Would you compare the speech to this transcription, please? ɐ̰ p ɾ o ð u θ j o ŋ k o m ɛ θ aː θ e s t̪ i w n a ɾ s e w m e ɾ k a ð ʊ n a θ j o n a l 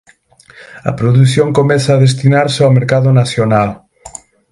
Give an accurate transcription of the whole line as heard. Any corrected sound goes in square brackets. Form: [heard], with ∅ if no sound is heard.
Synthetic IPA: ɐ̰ p ɾ o ð u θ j o ŋ k o m ɛ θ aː [ð] e s t̪ i [∅] n a ɾ s [a] w m e ɾ k a ð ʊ n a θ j o n a l